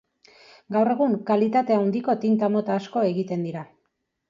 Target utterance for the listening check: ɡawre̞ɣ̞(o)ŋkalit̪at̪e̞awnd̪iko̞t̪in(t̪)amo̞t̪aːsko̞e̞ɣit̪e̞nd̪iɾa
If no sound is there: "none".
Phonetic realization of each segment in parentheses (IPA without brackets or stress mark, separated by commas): u, t̪